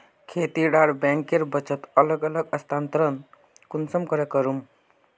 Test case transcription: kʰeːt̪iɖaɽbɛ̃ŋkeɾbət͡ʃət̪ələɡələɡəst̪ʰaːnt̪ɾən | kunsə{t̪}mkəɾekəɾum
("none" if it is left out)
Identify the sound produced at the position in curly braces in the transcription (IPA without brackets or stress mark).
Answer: none